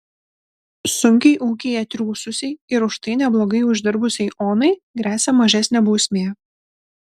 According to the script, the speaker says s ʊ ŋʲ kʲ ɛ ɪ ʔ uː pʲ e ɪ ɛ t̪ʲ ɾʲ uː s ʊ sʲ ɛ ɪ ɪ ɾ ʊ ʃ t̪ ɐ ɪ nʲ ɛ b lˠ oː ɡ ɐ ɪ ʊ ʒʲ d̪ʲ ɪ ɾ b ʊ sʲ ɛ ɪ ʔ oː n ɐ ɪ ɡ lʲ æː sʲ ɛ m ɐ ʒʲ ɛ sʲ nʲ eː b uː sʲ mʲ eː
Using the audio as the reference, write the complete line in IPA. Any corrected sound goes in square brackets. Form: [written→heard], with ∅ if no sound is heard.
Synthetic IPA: s ʊ ŋʲ kʲ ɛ ɪ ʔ uː [pʲ→kʲ] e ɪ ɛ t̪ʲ ɾʲ uː s ʊ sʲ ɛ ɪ ɪ ɾ ʊ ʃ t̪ ɐ ɪ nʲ ɛ b lˠ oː ɡ ɐ ɪ ʊ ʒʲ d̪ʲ ɪ ɾ b ʊ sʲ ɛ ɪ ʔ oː n ɐ ɪ ɡ [lʲ→ɾʲ] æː sʲ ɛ m ɐ ʒʲ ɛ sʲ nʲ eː b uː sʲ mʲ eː